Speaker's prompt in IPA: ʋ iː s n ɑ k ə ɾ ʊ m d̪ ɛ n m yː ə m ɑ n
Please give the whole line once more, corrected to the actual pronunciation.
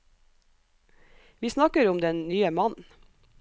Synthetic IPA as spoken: ʋ iː s n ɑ k ə ɾ ʊ m d̪ ɛ n n yː ə m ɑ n